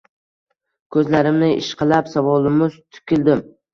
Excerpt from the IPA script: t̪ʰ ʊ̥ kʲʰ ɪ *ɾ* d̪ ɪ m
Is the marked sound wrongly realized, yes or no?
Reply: yes